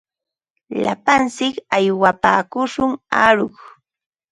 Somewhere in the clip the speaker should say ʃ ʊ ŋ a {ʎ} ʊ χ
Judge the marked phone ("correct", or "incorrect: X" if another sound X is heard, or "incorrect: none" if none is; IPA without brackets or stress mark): incorrect: ɾ